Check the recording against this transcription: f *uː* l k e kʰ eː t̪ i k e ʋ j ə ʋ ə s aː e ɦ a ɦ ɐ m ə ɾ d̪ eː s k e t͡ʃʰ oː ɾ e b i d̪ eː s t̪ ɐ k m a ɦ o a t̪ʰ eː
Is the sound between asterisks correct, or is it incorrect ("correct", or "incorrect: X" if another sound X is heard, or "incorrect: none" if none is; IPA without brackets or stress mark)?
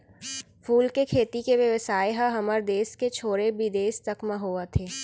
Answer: correct